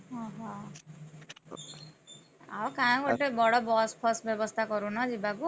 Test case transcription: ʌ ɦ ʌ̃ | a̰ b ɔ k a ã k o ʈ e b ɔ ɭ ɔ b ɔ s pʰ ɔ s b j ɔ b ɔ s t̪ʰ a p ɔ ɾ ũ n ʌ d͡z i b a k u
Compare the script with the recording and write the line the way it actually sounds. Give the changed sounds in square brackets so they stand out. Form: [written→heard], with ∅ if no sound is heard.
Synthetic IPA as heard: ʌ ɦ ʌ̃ | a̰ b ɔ k a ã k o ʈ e b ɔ [ɭ→ɽ] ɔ b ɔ s pʰ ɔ s b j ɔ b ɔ s t̪ʰ a [p→k] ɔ ɾ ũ n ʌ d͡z i b a k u